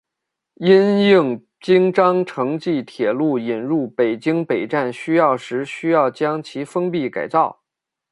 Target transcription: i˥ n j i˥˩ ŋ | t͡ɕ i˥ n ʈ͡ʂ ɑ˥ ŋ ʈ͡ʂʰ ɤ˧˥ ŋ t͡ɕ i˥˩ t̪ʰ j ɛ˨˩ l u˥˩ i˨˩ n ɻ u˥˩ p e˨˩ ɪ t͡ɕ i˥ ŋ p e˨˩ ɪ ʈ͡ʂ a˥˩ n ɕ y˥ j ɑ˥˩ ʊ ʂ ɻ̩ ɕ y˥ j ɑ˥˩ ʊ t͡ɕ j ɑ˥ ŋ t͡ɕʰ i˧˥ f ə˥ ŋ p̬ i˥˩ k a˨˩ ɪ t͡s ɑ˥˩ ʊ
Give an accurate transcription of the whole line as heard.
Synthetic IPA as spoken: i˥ n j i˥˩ ŋ | t͡ɕ i˥ ŋ ʈ͡ʂ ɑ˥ ŋ ʈ͡ʂʰ ɤ˧˥ ŋ t͡ɕ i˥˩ t̪ʰ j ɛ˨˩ l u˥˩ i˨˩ n ɻ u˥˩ p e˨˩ ɪ t͡ɕ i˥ ŋ p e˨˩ ɪ ʈ͡ʂ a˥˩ n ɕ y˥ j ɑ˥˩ ʊ ʂ ɻ̩ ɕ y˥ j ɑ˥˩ ʊ t͡ɕ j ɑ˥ ŋ t͡ɕʰ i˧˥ f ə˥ ŋ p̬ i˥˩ k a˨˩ ɪ t͡s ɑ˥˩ ʊ